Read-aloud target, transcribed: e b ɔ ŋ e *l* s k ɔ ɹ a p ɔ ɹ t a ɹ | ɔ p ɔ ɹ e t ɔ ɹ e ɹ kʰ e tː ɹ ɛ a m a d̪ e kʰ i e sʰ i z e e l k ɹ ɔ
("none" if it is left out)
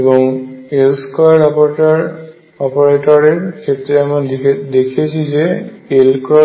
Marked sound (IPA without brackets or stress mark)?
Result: l